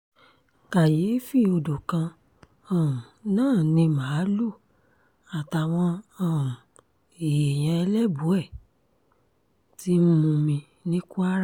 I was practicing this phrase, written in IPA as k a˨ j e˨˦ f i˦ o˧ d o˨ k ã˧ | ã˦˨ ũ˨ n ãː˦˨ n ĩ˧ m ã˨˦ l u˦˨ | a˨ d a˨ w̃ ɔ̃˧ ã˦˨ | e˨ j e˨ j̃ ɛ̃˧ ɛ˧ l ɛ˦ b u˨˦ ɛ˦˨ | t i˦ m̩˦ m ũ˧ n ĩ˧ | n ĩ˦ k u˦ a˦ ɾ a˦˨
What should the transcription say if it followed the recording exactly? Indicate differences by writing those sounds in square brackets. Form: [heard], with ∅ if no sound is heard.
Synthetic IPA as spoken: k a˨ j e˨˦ f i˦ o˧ d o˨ k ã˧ | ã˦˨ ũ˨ n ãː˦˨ n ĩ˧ m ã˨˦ l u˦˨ | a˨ [t] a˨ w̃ ɔ̃˧ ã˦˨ | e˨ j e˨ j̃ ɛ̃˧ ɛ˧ l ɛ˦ b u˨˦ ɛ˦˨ | t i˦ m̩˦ m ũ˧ [m] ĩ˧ | n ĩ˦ k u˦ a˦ ɾ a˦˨